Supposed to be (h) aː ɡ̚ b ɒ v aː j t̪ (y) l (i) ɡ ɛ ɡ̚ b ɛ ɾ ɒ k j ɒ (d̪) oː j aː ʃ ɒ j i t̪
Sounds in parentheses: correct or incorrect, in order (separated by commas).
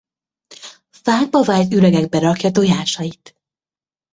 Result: incorrect, correct, incorrect, incorrect